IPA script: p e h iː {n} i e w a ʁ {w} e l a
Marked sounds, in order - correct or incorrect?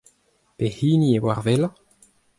correct, incorrect

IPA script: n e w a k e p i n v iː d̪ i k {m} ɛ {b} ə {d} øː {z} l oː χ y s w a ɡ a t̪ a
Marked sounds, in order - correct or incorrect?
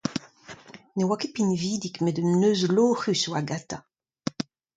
correct, incorrect, incorrect, correct

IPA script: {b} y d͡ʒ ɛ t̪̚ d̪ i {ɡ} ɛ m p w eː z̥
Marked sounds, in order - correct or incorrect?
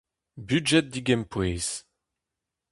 correct, correct

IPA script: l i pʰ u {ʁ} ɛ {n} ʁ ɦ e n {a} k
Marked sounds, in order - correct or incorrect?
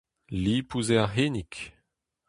incorrect, incorrect, incorrect

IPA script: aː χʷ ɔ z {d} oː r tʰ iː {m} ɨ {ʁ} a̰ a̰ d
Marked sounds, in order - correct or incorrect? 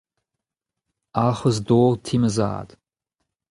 correct, correct, incorrect

